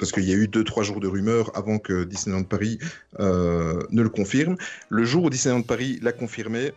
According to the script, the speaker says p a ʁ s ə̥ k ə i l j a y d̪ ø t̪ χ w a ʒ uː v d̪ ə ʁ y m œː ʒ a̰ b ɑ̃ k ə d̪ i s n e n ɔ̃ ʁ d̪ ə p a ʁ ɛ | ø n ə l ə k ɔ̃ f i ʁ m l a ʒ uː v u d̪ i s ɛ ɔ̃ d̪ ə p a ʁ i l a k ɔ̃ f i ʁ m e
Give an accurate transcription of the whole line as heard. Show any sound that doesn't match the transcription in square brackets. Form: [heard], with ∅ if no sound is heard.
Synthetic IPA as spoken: p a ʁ s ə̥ k ə i l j a y d̪ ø t̪ χ w a ʒ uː [ʁ] d̪ ə ʁ y m œː [ʁ] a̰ [v] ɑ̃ k ə d̪ i s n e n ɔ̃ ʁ d̪ ə p a ʁ [i] | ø n ə l ə k ɔ̃ f i ʁ m l [ə] ʒ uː [ʁ] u d̪ i s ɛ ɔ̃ d̪ ə p a ʁ i l a k ɔ̃ f i ʁ m e